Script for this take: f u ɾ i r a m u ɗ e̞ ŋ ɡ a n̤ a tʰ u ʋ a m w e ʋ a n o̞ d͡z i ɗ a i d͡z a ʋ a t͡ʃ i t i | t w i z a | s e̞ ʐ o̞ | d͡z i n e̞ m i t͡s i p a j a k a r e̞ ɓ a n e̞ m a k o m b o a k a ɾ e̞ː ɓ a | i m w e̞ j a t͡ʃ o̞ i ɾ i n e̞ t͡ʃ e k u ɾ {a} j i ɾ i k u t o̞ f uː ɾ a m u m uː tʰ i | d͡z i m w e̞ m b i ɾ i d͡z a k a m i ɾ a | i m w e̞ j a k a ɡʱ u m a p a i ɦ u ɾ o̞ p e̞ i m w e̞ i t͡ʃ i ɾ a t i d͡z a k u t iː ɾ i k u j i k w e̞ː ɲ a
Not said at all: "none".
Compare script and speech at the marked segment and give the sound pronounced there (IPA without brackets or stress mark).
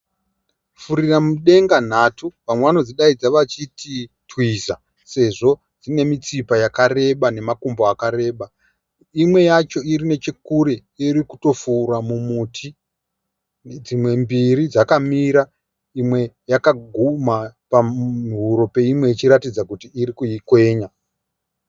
e